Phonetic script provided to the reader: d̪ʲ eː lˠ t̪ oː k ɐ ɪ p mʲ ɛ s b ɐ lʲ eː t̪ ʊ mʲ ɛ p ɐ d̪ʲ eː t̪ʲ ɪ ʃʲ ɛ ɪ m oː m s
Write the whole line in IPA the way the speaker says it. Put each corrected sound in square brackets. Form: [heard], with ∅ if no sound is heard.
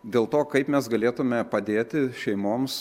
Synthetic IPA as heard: d̪ʲ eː lˠ t̪ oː k ɐ ɪ p mʲ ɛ s [ɡ] ɐ lʲ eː t̪ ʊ mʲ ɛ p ɐ d̪ʲ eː t̪ʲ ɪ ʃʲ ɛ ɪ m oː m s